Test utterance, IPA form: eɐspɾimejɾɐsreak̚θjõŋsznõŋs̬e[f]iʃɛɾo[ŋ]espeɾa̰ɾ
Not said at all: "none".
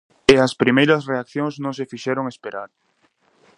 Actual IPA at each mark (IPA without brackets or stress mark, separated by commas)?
f, ŋ